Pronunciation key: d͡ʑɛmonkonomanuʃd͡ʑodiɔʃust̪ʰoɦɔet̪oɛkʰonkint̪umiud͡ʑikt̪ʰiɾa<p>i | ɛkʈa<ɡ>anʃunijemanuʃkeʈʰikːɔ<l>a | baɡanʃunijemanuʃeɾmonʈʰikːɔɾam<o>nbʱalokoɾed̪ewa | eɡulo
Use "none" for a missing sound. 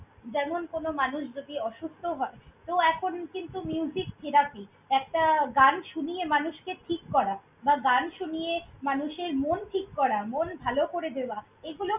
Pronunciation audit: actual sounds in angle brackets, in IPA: p, ɡ, ɾ, o

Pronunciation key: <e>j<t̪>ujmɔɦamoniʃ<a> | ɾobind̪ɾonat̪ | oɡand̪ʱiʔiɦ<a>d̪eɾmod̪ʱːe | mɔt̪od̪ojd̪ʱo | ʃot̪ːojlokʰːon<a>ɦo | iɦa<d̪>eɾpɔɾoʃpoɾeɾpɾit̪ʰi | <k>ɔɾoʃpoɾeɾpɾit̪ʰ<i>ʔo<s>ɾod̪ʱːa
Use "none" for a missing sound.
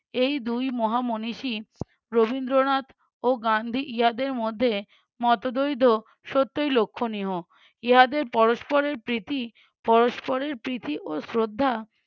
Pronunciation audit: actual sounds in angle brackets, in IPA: e, d̪, i, a, i, d̪, p, i, s

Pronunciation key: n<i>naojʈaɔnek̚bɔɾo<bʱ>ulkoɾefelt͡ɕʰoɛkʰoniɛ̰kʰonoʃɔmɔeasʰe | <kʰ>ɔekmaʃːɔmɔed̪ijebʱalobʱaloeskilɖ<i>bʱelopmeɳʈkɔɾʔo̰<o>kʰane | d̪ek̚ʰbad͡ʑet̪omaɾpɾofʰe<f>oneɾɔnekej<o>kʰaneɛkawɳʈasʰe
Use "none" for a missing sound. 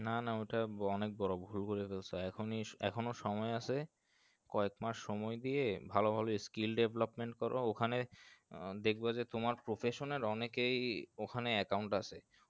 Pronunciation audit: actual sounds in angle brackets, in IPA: a, bʱ, k, e, o, ʃ, o

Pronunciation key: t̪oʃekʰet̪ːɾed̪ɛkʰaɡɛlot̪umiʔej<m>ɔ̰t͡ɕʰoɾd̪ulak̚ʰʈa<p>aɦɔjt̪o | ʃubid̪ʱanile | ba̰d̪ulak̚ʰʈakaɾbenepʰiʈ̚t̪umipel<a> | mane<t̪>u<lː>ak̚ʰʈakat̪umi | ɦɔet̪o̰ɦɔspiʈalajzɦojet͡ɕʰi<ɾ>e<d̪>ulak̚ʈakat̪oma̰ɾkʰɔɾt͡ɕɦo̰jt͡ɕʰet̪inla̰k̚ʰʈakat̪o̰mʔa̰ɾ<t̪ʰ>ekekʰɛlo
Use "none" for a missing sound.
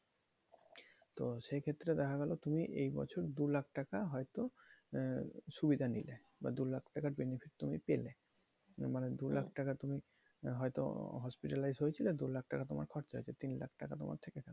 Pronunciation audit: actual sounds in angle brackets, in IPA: b, k, e, d̪, l, l, d̪, t̪ʰ

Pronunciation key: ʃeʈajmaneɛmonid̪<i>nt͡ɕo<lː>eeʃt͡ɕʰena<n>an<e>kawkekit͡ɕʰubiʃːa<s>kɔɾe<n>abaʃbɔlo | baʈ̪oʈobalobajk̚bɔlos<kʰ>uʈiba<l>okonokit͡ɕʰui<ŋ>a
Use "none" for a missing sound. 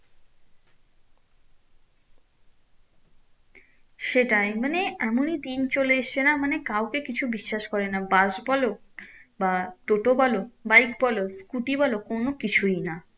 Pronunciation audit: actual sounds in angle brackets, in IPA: i, l, m, e, ʃ, n, k, l, n

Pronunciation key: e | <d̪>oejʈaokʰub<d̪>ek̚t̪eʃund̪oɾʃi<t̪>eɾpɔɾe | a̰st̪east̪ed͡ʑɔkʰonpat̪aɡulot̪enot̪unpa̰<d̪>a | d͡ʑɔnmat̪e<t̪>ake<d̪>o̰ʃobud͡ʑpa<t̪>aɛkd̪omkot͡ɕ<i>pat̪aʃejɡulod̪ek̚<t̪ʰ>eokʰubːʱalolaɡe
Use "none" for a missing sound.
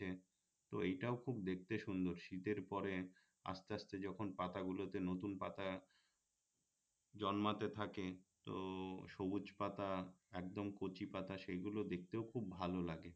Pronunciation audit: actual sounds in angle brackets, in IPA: t̪, d̪, t̪, t̪, t̪ʰ, t̪, t̪, i, t̪

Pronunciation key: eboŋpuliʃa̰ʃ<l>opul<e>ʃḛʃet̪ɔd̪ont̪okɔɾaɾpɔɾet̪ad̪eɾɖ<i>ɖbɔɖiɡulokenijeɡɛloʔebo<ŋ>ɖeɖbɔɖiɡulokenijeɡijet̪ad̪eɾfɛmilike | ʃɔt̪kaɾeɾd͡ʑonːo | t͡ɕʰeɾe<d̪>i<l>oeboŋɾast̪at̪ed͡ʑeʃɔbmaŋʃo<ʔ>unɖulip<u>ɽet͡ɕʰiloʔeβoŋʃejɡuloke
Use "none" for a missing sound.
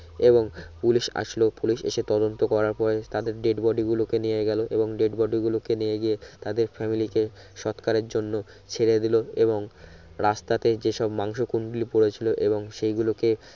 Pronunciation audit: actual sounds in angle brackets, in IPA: l, i, e, ŋ, d̪, l, k, o

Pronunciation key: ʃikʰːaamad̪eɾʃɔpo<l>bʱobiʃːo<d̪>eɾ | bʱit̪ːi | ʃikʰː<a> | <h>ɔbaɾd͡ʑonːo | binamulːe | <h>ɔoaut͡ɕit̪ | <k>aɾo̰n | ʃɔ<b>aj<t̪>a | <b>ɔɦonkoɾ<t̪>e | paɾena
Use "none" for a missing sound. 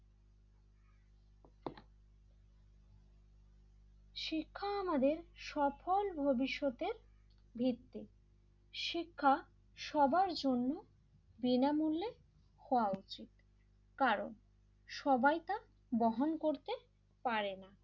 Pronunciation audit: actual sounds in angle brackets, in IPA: l, t̪, a, ʃ, h, k, b, t̪, b, t̪

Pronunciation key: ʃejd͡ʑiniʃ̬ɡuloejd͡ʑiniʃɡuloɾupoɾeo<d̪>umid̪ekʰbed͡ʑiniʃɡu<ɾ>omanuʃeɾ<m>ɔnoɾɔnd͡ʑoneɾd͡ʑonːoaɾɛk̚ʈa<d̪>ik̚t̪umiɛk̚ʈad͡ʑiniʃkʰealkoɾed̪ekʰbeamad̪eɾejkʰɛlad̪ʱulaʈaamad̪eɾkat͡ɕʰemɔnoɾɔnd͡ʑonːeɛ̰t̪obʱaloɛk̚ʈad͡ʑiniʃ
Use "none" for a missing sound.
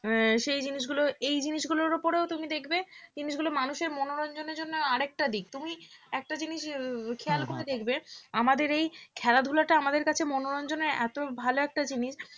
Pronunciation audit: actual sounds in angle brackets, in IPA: t̪, l, m, d̪

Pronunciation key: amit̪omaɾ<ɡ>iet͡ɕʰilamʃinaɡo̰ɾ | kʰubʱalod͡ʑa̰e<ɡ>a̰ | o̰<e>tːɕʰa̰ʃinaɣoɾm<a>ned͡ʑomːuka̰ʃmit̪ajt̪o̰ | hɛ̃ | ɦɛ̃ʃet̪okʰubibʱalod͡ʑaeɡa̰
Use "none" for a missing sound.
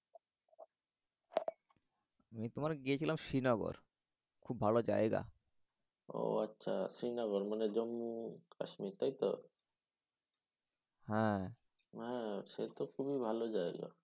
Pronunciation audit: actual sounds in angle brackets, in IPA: ɡ, ɡ, a, a

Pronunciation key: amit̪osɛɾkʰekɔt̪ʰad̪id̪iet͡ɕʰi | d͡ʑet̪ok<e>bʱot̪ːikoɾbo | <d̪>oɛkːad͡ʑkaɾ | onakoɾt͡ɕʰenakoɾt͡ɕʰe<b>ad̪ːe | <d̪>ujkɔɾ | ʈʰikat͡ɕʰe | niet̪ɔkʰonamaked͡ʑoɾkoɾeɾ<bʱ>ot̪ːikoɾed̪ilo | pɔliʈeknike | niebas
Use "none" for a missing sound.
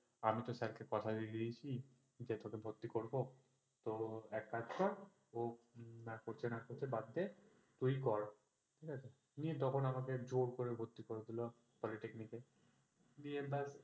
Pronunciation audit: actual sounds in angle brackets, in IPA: e, t̪, b, t̪, bʱ

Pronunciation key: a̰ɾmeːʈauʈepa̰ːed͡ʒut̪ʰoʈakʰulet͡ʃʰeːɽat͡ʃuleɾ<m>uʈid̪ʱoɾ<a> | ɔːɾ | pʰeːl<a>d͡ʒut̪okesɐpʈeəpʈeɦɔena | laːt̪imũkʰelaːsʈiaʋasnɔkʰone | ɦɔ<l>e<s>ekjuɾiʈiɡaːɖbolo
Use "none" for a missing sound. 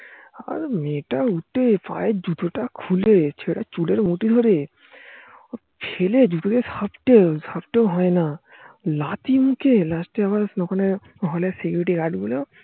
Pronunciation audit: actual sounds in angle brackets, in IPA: m, e, e, l, s

